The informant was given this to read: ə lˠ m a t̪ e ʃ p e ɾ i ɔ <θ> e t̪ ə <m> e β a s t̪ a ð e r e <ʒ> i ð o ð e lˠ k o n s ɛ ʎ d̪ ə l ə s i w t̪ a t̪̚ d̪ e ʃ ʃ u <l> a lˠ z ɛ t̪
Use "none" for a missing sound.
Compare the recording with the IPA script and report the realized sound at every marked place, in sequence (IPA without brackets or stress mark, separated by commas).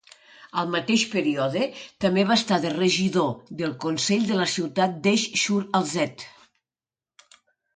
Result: ð, m, ʒ, ɾ